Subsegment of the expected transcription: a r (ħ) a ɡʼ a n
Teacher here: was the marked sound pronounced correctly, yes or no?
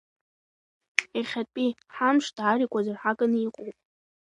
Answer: yes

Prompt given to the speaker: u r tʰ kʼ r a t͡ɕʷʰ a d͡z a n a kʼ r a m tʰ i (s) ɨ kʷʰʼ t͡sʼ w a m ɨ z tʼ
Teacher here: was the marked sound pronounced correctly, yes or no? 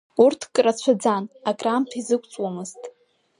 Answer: no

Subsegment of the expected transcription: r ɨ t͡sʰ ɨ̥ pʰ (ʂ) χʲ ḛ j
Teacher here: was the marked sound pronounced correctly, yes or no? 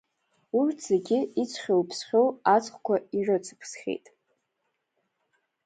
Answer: no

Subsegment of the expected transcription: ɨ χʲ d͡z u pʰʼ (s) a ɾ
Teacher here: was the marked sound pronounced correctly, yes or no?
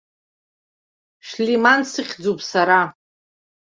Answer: yes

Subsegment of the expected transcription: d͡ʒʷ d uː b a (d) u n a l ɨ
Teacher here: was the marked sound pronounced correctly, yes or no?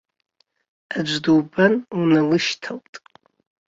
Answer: no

